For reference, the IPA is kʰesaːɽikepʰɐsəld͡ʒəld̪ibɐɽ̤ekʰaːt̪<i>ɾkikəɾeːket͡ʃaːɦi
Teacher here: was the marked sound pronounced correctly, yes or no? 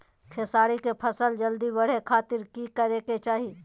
no